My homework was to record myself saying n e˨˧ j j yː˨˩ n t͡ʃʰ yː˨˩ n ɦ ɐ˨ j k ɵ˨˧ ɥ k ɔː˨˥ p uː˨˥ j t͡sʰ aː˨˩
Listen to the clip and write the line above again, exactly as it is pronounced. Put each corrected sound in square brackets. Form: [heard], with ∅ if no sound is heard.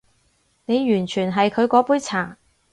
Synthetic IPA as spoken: n e˨˧ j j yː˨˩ n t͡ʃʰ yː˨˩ n ɦ ɐ˨ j [kʰ] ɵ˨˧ ɥ k ɔː˨˥ p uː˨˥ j t͡sʰ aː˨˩